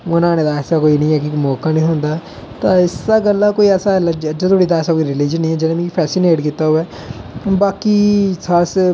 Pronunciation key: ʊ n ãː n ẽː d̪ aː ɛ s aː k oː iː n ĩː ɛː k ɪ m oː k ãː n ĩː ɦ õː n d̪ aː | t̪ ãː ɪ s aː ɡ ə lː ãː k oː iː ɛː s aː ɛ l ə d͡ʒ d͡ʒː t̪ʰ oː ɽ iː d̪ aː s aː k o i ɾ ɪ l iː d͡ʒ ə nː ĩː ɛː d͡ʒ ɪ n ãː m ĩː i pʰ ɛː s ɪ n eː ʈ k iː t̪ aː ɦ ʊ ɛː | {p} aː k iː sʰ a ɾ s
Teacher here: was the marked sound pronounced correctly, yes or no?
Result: no